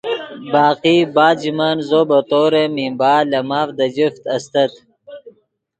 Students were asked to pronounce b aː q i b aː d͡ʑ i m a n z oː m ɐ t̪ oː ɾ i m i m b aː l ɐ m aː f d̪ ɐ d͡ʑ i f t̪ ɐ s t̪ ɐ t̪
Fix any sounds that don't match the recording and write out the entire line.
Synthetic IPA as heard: b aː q i b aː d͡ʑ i m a n z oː b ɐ t̪ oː ɾ e m i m b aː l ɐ m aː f d̪ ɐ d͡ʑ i f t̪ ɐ s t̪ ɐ t̪

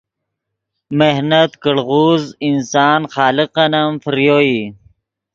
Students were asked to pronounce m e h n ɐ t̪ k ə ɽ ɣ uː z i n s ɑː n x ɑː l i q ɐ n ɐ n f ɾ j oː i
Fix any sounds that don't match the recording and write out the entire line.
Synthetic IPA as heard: m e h n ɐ t̪ k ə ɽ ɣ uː z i n s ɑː n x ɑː l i q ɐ n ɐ m f ɾ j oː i

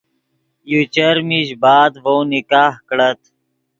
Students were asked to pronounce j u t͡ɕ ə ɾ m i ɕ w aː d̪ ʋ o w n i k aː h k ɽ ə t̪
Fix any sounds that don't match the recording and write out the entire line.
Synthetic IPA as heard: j u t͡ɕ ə ɾ m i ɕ b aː d̪ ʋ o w n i k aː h k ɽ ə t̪

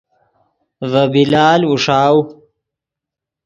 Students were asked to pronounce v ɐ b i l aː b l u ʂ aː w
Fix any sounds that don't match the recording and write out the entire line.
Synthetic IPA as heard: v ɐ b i l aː l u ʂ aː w

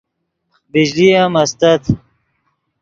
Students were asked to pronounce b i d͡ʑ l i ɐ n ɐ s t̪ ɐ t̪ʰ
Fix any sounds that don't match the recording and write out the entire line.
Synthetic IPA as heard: b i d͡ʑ l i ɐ m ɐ s t̪ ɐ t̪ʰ

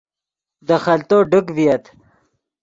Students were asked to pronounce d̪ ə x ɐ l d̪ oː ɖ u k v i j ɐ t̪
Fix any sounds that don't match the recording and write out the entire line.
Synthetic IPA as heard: d̪ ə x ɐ l t̪ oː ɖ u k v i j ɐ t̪

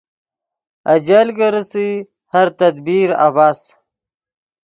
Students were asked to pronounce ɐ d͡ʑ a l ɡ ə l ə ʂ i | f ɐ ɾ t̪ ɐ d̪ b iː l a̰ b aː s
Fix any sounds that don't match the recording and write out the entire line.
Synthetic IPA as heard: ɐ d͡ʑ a l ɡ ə ɾ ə s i | h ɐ ɾ t̪ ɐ d̪ b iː ɾ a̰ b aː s

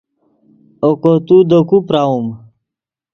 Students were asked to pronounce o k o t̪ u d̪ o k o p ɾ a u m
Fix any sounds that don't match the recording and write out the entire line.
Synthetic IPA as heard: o k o t̪ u d̪ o k u p ɾ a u m

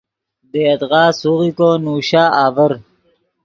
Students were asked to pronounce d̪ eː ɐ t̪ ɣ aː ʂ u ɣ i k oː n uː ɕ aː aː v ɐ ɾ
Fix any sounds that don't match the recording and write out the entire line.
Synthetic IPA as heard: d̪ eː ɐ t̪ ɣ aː s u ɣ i k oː n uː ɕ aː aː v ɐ ɾ

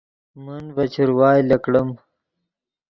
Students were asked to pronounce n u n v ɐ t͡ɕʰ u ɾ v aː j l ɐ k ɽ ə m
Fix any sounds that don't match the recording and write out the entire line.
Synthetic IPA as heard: m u n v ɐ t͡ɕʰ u ɾ w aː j l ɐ k ɽ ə m

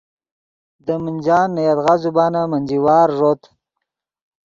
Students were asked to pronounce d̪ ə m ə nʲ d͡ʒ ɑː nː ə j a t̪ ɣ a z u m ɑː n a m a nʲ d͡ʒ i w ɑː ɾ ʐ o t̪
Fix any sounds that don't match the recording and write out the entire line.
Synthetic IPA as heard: d̪ ə m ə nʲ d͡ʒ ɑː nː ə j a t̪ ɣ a z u b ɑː n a m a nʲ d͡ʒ i w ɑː ɾ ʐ o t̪

